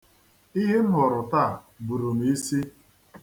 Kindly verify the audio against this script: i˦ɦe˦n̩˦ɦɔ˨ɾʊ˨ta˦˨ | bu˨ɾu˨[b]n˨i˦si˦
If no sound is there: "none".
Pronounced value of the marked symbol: none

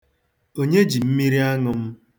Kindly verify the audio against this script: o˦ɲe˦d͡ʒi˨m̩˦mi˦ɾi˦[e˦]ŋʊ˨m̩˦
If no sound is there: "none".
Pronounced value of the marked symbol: a˦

